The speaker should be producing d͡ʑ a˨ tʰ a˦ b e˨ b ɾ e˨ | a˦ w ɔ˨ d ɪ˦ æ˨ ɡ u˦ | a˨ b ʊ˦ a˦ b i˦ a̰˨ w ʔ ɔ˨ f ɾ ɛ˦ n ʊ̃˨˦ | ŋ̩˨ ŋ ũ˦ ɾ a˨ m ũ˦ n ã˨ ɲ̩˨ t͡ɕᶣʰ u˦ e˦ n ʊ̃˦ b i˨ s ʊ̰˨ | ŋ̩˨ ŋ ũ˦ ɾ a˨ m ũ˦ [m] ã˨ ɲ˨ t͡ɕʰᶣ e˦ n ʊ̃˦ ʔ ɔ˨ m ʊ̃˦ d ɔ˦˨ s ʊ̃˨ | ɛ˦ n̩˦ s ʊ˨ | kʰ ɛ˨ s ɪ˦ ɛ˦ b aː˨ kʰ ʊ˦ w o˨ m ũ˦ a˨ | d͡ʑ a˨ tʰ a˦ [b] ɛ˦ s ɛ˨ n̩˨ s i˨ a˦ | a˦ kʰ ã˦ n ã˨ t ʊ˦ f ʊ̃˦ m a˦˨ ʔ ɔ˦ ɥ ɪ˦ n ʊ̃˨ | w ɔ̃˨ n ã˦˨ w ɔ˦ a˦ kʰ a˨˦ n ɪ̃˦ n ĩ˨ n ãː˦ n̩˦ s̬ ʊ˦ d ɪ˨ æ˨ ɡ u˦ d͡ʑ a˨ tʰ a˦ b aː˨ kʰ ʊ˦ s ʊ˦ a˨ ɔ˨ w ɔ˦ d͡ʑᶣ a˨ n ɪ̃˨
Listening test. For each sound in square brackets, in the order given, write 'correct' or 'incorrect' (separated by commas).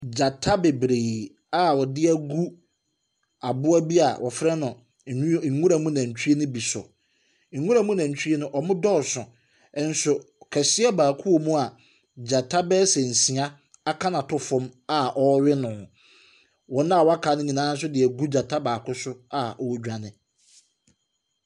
incorrect, correct